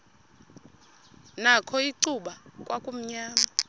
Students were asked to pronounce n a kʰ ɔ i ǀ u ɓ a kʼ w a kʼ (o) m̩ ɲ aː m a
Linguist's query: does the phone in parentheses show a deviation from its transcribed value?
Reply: yes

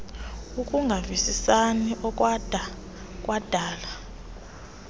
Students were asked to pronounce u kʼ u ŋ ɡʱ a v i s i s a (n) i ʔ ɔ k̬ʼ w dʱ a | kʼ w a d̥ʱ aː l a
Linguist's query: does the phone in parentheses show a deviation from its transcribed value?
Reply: no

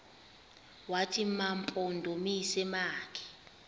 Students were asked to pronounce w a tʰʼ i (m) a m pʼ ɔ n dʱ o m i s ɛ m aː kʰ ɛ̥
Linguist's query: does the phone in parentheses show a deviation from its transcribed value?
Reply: no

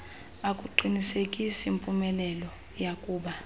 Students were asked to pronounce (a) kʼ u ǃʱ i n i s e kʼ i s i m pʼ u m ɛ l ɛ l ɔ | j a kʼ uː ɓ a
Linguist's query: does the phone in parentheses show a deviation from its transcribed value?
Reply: no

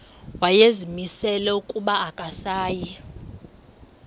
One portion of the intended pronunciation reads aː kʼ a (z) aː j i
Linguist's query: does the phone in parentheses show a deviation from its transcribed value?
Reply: yes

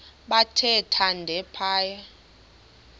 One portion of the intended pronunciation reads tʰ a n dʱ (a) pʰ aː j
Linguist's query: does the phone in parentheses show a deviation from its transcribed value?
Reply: yes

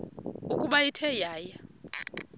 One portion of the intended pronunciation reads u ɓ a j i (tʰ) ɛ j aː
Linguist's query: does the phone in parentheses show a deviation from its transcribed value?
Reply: no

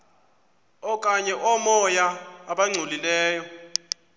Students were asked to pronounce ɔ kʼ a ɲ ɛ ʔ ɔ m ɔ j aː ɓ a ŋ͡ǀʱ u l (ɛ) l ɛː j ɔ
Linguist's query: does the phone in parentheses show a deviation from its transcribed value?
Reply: yes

